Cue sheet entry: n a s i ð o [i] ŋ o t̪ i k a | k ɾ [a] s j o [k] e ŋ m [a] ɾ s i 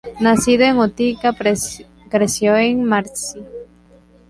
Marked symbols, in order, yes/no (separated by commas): no, no, no, yes